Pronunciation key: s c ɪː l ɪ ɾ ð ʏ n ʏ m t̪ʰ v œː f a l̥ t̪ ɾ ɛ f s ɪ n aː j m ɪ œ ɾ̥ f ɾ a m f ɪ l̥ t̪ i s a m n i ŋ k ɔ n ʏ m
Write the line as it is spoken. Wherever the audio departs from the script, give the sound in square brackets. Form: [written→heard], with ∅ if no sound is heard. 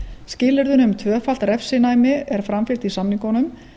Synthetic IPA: s c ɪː l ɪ ɾ ð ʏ n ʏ m t̪ʰ v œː f a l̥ t̪ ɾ ɛ f s ɪ n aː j m ɪ [œ→ɛ] ɾ̥ f ɾ a m f ɪ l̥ t̪ i s a m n i ŋ k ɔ n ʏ m